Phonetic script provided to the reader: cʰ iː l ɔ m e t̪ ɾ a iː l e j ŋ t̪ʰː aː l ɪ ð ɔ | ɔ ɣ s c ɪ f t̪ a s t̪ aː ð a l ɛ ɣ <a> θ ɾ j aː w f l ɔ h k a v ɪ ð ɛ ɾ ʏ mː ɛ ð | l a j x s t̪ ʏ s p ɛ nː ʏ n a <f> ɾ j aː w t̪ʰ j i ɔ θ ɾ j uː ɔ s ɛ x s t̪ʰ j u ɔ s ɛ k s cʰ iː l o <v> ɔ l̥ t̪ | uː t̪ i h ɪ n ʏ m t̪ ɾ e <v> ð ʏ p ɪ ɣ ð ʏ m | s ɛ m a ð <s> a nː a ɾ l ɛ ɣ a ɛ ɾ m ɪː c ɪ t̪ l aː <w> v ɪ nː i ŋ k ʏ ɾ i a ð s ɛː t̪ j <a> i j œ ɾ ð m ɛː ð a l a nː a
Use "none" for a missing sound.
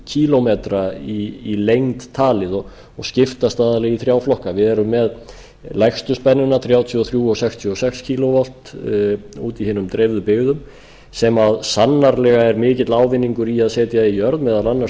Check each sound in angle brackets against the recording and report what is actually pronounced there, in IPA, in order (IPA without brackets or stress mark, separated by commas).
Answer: i, θ, v, v, s, w, a